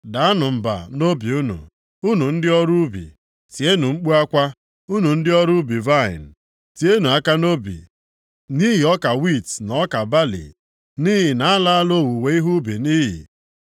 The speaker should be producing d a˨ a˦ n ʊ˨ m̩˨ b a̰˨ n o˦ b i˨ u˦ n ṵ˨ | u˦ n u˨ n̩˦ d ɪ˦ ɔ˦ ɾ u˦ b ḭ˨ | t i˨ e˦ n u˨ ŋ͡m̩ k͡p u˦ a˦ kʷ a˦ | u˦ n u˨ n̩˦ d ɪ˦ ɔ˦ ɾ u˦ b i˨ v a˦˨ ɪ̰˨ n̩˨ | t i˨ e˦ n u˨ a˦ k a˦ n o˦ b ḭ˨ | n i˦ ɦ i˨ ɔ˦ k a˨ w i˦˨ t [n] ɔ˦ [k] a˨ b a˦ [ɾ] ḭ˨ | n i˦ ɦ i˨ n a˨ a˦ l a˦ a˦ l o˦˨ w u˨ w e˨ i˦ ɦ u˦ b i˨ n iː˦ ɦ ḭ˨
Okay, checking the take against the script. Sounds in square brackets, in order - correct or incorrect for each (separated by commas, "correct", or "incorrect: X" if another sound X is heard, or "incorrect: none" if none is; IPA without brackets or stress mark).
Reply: correct, correct, incorrect: l